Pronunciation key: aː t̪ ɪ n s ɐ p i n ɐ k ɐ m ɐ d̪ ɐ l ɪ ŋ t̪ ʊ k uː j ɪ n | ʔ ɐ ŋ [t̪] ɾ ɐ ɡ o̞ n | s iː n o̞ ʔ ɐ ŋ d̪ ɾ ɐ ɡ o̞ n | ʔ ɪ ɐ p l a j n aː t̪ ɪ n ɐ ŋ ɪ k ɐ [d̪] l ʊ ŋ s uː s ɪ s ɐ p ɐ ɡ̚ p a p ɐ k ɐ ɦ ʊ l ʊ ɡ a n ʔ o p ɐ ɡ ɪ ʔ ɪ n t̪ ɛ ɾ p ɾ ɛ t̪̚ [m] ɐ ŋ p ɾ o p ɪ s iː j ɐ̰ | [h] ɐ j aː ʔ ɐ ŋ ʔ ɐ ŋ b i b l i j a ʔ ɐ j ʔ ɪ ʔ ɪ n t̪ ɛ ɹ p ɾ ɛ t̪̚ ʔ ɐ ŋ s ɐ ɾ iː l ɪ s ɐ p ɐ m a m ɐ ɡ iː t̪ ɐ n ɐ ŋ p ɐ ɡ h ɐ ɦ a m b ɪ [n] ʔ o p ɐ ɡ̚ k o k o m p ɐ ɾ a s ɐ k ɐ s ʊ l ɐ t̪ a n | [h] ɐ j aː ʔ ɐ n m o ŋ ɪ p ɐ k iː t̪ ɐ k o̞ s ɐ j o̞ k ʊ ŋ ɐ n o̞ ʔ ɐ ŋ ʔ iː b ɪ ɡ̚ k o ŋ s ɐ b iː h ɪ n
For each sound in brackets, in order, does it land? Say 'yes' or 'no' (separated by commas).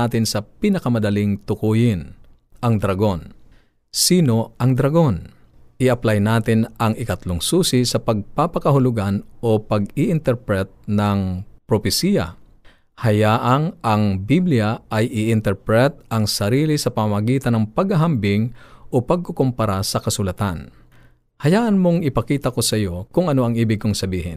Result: no, no, no, yes, no, yes